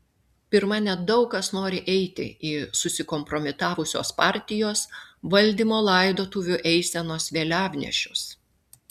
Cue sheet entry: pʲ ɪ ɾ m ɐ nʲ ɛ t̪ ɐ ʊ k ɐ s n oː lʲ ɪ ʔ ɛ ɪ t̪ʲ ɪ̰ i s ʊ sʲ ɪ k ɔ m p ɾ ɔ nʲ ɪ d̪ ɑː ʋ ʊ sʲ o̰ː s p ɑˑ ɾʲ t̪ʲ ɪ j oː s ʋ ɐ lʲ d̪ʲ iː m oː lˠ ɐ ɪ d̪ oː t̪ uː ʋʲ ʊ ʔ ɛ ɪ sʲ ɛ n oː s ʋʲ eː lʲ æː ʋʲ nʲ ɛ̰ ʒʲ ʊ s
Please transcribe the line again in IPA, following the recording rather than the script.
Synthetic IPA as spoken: pʲ ɪ ɾ m ɐ nʲ ɛ d̪ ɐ ʊ k ɐ s n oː ɾʲ ɪ ʔ ɛ ɪ t̪ʲ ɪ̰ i s ʊ sʲ ɪ k ɔ m p ɾ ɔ mʲ ɪ t̪ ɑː ʋ ʊ sʲ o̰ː s p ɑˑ ɾʲ t̪ʲ ɪ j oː s ʋ ɐ lʲ d̪ʲ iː m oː lˠ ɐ ɪ d̪ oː t̪ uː ʋʲ ʊ ʔ ɛ ɪ sʲ ɛ n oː s ʋʲ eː lʲ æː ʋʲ nʲ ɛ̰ ʃʲ ʊ s